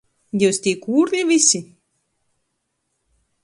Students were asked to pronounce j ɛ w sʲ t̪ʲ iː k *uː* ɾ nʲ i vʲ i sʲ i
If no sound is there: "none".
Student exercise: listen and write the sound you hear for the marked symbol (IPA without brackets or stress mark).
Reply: uː